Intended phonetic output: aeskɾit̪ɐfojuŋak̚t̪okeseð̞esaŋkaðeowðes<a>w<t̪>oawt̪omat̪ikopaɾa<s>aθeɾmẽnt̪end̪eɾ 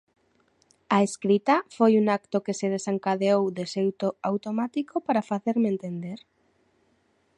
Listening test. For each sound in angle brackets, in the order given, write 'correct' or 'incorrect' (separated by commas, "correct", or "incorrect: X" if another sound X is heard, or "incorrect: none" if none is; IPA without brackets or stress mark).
incorrect: e, correct, incorrect: f